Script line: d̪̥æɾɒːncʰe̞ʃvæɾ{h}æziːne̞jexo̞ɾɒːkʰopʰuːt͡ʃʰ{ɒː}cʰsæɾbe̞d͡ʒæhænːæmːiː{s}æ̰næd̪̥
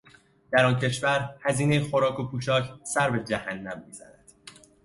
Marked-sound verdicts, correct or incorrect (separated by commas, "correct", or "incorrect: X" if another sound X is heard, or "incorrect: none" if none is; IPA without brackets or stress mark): correct, correct, incorrect: z